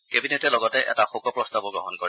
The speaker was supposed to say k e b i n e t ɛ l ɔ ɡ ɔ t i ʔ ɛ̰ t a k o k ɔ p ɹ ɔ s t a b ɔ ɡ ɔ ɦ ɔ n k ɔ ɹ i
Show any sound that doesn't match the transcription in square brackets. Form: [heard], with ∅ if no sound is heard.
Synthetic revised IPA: k e b i n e t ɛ l ɔ ɡ ɔ t [ɛ] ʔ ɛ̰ t a [x] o k ɔ p ɹ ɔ s t a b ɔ ɡ ɔ ɦ ɔ n k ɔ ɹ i